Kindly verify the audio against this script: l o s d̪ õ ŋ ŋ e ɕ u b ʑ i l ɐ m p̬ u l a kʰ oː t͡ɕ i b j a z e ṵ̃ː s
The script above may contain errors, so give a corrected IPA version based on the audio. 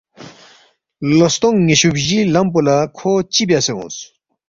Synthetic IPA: l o s t̪ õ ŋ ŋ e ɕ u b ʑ i l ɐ m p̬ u l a kʰ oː t͡ɕ i b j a s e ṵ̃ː s

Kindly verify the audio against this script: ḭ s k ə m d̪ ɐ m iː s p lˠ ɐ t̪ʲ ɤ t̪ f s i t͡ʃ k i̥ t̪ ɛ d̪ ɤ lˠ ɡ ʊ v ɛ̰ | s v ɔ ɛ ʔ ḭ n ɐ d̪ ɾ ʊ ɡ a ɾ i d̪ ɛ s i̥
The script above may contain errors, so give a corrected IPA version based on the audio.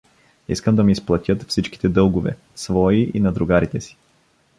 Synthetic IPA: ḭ s k ə m d̪ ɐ m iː s p lˠ ɐ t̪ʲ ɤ t̪ f s i t͡ʃ k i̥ t̪ ɛ d̪ ɤ lˠ ɡ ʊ v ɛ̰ | s v ɔ i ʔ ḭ n ɐ d̪ ɾ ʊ ɡ a ɾ i t̪ ɛ s i̥

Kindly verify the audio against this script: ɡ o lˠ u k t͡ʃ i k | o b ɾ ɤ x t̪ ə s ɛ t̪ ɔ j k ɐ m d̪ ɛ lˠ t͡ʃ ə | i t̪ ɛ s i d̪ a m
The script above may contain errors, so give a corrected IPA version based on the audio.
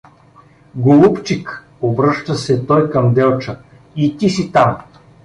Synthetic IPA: ɡ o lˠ u p t͡ʃ i k | o b ɾ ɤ ʃ t̪ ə s ɛ t̪ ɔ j k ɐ m d̪ ɛ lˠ t͡ʃ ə | i t̪ i s i t̪ a m

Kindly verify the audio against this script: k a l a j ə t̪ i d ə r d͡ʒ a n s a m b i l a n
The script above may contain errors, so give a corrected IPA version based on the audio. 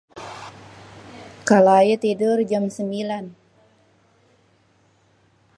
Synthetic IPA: k a l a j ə t̪ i d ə r d͡ʒ a m s ə m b i l a n

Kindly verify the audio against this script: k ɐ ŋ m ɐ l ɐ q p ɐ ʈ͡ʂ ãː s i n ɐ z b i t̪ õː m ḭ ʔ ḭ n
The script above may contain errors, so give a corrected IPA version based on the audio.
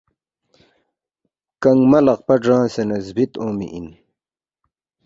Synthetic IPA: k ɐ ŋ m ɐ l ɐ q p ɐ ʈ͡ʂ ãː s e n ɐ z b i t̪ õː m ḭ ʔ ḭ n

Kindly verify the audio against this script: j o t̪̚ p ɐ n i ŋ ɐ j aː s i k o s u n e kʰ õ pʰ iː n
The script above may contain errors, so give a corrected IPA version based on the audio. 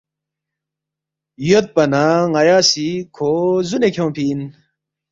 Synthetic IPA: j o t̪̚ p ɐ n a ŋ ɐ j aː s i kʰ o z u n e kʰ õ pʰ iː n

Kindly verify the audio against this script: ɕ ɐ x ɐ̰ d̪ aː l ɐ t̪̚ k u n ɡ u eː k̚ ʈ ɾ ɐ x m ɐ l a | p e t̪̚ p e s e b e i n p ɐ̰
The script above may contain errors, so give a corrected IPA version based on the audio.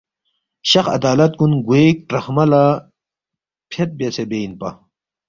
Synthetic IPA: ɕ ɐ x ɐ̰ d̪ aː l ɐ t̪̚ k u n ɡ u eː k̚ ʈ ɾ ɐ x m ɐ l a | pʰ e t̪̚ b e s e b e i n p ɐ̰

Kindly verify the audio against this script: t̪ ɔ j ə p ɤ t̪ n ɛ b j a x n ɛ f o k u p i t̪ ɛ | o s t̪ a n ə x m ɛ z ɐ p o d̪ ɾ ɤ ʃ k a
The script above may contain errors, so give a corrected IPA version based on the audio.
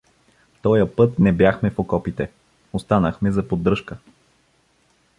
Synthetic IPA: t̪ ɔ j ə p ɤ t̪ n ɛ b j a x m ɛ f o k ɔ p i t̪ ɛ | o s t̪ a n ə x m ɛ z ɐ p o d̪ ɾ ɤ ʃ k ə

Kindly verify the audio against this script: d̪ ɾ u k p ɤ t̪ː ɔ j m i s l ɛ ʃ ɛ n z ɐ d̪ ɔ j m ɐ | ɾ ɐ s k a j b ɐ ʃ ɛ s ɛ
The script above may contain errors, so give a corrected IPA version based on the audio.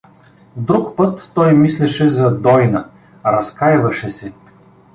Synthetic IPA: d̪ ɾ u k p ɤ t̪ː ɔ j m i s l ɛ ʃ ɛ z ɐ d̪ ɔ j n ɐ | ɾ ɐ s k a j v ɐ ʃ ɛ s ɛ

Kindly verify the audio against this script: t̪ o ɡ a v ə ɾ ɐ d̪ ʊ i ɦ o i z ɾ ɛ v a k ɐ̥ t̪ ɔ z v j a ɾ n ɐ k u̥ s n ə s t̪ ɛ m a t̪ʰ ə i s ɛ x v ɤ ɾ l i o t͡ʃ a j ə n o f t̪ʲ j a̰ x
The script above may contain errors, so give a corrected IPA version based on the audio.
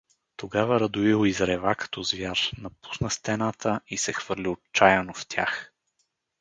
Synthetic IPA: t̪ o ɡ a v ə ɾ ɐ d̪ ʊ i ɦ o i z ɾ ɛ v a k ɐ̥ t̪ ɔ z v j a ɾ n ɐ p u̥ s n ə s t̪ ɛ n a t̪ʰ ə i s ɛ x v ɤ ɾ l i o t͡ʃ a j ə n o f t̪ʲ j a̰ x

